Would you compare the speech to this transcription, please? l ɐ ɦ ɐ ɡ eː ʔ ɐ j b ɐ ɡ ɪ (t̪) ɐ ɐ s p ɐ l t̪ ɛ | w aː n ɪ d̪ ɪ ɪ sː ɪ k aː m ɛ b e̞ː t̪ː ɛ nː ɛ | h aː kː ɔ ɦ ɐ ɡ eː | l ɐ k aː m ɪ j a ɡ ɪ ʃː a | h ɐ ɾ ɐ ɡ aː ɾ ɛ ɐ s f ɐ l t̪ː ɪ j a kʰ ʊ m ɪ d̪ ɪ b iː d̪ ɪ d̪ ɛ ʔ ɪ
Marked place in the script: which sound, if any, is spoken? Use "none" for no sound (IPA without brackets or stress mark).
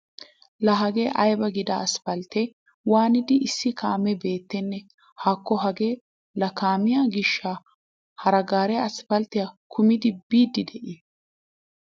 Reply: d̪